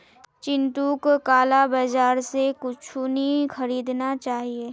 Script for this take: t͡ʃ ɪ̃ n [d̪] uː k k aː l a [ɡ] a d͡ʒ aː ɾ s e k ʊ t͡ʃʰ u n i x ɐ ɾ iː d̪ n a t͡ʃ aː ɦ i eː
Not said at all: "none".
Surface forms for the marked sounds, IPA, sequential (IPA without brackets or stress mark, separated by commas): t̪, b